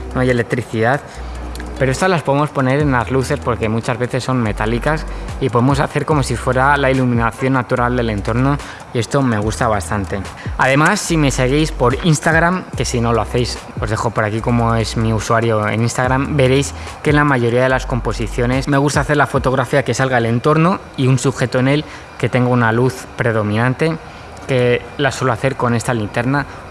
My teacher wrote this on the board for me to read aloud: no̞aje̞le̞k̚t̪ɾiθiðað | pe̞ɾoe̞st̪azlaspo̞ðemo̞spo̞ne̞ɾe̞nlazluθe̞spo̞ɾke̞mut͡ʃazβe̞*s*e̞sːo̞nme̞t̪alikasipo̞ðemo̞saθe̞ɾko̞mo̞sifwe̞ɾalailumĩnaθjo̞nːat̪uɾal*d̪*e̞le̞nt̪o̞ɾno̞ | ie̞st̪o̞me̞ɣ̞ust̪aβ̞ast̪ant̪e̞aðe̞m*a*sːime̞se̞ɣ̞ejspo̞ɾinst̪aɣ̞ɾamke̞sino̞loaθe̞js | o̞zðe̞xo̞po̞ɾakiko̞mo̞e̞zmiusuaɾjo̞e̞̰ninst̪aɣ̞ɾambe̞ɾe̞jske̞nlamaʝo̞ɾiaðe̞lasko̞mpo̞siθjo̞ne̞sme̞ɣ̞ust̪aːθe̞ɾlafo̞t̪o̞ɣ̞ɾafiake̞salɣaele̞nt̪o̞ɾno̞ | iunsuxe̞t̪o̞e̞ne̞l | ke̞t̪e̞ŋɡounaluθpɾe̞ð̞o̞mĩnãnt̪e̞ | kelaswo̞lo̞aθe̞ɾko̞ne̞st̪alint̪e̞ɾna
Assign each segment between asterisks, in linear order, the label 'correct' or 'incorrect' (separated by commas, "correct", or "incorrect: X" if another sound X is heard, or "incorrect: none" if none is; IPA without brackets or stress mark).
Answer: incorrect: θ, correct, correct